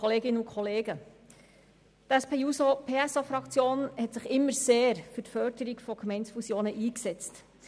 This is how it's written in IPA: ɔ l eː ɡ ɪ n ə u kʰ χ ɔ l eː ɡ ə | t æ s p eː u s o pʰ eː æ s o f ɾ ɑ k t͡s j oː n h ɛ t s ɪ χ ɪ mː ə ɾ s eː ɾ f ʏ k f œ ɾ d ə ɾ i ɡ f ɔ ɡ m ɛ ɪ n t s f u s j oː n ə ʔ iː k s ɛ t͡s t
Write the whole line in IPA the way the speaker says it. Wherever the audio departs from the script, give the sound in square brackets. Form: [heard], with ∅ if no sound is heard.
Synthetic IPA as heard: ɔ l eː ɡ ɪ n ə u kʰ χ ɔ l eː ɡ ə | t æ s p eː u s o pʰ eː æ s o f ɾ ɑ k t͡s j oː n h ɛ t s ɪ χ ɪ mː ə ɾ s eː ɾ f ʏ [t] f œ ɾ d ə ɾ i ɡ f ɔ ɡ m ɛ ɪ n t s f u s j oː n ə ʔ iː k s ɛ t͡s t